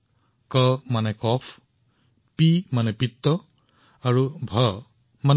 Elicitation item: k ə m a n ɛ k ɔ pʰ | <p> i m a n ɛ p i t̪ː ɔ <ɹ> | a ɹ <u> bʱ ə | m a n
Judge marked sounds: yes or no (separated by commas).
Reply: yes, no, yes